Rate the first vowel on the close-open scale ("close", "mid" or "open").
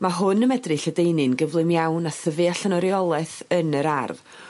open